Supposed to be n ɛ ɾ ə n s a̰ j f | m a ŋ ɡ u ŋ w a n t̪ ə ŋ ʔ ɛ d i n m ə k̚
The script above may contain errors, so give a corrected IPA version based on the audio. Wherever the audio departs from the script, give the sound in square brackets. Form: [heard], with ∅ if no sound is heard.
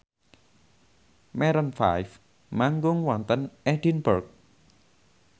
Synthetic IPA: [m] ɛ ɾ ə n [f] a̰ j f | m a ŋ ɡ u ŋ w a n t̪ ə [n] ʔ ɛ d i n [b] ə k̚